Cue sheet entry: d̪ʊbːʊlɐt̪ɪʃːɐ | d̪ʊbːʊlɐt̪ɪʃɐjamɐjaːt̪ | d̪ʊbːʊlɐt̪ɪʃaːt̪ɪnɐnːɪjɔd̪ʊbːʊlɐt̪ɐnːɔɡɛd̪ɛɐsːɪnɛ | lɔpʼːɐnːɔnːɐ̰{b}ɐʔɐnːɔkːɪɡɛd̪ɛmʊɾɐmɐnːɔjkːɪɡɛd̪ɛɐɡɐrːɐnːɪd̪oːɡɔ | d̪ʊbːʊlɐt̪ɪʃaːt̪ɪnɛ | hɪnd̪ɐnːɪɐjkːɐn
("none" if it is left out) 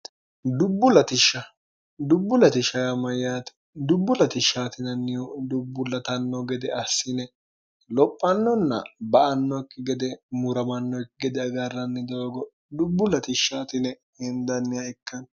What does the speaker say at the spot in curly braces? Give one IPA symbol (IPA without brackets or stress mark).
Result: b